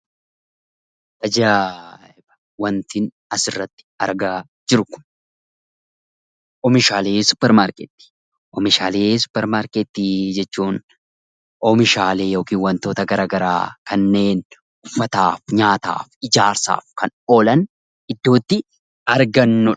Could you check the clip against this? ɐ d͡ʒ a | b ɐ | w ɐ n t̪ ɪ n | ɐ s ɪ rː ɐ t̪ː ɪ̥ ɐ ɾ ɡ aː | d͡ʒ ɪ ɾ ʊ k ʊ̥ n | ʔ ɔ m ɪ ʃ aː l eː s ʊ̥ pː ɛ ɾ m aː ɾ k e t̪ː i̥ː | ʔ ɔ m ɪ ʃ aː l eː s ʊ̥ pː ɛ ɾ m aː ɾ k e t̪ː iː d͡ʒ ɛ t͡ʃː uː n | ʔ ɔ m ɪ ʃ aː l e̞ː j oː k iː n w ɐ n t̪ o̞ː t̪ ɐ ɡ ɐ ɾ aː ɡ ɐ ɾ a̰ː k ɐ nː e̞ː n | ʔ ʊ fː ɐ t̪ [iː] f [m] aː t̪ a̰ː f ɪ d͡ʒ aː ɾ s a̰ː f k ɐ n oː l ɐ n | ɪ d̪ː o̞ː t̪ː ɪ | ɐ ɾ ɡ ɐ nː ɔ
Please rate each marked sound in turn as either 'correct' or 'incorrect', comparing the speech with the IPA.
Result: incorrect, incorrect

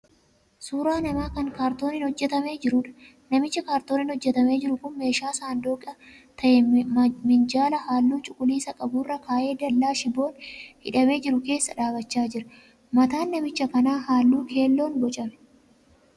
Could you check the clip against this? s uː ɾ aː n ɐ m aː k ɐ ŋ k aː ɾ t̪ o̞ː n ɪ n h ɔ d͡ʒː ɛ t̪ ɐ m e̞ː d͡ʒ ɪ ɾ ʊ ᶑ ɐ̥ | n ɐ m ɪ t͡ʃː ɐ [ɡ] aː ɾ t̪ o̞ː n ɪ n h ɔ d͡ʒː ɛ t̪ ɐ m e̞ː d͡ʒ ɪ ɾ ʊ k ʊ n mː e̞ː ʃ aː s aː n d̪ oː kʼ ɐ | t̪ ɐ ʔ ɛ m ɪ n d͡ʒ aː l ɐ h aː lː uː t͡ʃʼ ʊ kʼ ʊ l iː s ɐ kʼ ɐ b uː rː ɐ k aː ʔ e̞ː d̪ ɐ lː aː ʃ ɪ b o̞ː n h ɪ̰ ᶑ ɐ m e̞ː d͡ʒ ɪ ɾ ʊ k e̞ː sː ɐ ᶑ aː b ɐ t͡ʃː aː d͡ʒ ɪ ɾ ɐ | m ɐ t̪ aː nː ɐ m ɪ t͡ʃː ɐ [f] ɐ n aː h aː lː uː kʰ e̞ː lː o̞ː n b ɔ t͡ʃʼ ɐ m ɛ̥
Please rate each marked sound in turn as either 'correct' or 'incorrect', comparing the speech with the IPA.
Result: incorrect, correct

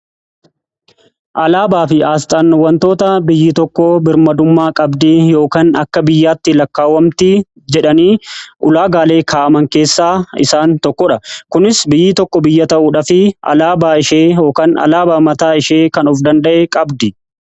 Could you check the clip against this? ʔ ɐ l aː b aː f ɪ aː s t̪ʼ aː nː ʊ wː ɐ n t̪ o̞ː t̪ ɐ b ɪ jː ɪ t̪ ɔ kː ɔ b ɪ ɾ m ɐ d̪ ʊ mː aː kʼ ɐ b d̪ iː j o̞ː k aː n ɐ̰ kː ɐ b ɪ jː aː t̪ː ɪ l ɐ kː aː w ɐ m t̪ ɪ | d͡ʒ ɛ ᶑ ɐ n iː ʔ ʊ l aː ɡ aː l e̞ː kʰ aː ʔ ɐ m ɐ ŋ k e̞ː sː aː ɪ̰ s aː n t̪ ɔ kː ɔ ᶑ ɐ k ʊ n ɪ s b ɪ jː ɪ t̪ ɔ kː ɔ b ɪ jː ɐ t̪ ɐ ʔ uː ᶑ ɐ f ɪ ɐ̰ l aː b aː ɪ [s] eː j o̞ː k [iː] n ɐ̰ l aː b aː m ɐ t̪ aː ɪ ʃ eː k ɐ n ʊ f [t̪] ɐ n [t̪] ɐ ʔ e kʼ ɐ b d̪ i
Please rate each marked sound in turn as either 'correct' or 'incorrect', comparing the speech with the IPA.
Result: incorrect, incorrect, incorrect, incorrect

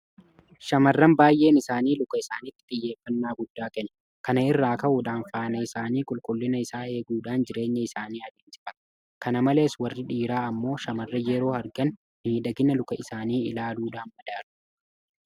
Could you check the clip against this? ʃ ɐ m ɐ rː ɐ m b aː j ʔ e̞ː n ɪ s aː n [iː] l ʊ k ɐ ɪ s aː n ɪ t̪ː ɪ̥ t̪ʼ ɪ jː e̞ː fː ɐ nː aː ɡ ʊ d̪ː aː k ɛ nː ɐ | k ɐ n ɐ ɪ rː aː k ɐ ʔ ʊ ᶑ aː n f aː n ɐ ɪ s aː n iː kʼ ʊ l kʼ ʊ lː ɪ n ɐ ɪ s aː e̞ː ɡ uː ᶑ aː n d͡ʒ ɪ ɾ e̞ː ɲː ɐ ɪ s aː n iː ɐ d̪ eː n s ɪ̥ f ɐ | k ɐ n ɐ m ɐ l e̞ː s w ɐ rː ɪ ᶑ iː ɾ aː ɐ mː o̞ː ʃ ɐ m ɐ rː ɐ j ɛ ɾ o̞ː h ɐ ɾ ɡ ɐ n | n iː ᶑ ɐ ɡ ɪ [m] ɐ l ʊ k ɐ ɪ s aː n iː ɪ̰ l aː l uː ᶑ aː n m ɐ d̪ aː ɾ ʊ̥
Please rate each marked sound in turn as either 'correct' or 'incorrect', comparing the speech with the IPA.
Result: correct, incorrect

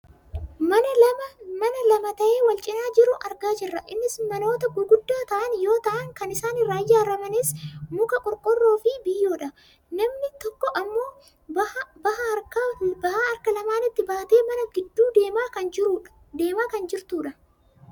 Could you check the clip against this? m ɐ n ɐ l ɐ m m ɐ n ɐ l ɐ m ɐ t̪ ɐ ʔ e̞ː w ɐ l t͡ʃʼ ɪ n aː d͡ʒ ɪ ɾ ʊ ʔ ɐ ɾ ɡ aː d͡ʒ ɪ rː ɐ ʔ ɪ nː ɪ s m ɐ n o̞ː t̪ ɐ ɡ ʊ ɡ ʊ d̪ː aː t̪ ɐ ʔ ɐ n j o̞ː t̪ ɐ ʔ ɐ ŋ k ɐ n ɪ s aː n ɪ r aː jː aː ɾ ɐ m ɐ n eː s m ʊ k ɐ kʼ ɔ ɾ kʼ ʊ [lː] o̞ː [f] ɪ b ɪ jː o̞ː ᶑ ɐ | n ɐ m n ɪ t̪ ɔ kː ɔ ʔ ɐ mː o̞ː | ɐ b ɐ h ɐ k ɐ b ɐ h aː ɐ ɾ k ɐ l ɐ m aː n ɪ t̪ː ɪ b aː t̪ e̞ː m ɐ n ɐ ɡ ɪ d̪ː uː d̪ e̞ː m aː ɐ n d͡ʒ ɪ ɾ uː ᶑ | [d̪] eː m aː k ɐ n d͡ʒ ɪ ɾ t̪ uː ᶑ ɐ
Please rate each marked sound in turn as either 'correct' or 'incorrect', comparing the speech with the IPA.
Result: incorrect, correct, correct

